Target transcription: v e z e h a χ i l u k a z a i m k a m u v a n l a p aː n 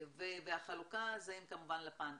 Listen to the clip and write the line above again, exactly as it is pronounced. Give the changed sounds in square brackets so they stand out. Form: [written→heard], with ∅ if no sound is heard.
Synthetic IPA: v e [z→v] e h a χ [i→a] l u k a z a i m k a m u v a n l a p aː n